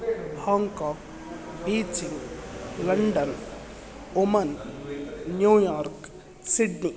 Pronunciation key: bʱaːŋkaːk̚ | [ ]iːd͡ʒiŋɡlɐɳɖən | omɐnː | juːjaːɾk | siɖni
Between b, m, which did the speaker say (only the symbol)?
b